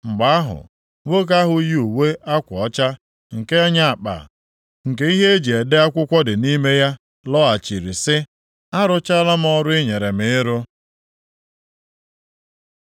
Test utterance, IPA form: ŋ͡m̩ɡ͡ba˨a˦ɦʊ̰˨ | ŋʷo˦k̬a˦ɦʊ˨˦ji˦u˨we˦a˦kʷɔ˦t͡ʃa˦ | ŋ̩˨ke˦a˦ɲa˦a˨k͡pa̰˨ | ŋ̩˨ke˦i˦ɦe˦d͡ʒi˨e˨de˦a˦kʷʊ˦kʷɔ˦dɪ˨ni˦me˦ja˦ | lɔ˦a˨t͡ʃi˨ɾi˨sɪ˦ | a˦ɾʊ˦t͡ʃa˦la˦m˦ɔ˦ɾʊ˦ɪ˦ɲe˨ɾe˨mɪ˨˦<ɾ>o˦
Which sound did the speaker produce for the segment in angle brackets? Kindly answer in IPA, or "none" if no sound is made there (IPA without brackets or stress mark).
ɾ